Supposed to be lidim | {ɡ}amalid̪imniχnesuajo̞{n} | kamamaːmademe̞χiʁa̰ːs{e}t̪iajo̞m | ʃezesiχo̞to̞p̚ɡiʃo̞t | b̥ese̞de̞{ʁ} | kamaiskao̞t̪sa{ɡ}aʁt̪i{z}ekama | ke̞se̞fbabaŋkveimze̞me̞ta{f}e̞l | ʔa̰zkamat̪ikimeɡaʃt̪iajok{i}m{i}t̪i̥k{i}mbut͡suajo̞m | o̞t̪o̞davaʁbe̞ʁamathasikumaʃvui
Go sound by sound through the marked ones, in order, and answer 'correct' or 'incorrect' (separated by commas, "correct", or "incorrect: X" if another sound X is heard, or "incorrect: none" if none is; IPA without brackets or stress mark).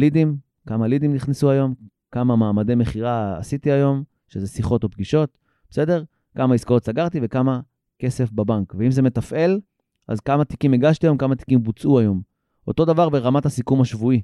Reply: incorrect: k, incorrect: m, incorrect: i, correct, correct, incorrect: v, correct, incorrect: a, incorrect: a, correct